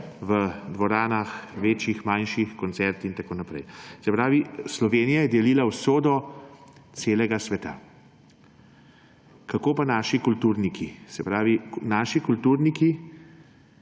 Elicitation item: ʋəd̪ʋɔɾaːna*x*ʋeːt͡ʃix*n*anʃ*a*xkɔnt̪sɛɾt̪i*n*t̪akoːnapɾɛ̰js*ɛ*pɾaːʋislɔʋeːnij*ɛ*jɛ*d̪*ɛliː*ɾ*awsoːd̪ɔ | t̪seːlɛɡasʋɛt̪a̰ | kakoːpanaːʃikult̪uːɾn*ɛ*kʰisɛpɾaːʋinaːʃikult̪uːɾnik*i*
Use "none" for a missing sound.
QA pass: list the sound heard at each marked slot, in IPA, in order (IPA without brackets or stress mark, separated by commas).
x, m, i, n, ɛ, a, d̪, l, i, i